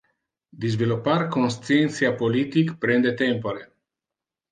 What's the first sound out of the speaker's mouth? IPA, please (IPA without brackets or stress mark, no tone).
d̪